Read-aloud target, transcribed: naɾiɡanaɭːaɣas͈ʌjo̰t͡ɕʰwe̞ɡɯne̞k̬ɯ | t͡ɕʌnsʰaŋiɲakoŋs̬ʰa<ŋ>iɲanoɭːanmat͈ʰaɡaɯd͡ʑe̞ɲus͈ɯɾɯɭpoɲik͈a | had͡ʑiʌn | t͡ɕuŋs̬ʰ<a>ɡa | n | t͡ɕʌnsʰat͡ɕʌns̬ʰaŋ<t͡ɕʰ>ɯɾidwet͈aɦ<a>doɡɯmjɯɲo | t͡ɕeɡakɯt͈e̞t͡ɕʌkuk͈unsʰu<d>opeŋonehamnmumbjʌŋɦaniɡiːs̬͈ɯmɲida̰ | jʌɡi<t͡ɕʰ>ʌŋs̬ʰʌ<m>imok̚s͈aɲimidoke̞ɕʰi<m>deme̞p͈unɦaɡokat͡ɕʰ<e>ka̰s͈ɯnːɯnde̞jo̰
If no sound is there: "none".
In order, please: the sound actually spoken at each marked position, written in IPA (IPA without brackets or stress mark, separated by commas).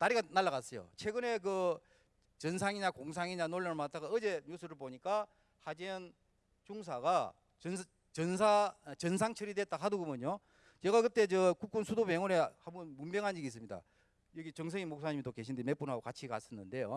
ŋ, a, t͡ɕʰ, a, d, t͡ɕ, ŋ, n, i